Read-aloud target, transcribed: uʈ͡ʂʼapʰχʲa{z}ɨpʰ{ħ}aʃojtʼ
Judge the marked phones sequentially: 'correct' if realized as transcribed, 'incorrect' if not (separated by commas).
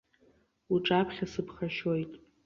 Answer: incorrect, incorrect